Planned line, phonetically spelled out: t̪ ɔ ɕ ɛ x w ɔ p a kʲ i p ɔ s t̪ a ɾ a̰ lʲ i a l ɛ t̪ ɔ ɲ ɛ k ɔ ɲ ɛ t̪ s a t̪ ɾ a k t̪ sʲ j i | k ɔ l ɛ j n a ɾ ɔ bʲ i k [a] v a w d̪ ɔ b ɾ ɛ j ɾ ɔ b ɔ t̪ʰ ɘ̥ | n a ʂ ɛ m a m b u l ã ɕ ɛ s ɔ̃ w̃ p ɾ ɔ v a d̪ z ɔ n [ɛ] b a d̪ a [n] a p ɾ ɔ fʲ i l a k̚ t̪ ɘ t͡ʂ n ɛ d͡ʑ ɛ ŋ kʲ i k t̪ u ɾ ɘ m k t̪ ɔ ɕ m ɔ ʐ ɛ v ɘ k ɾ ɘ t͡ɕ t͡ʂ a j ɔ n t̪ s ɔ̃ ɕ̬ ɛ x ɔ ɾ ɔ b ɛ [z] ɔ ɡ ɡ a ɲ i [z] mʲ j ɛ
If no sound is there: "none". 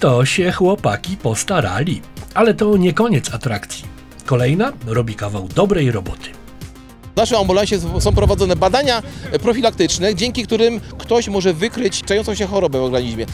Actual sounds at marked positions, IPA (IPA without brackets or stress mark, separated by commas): a, ɛ, ɲ, v, ʑ